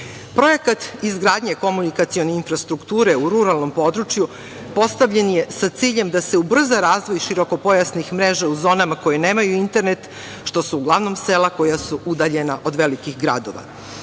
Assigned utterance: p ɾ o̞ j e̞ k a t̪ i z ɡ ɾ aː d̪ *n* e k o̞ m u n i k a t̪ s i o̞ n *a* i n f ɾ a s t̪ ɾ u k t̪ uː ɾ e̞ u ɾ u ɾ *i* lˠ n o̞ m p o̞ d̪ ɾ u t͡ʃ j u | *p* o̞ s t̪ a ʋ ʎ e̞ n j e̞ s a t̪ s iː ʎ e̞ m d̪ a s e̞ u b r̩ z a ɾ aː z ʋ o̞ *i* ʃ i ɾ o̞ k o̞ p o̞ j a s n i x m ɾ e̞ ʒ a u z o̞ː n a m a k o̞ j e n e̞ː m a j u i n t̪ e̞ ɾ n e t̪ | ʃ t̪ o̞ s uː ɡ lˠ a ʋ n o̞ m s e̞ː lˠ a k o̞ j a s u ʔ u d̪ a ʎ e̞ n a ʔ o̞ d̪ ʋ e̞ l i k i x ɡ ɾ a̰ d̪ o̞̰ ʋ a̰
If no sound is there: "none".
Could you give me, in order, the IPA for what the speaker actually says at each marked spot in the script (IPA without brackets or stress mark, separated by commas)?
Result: ɲ, e, a, p, j